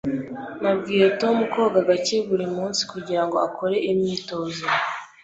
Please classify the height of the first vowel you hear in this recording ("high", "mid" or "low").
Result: low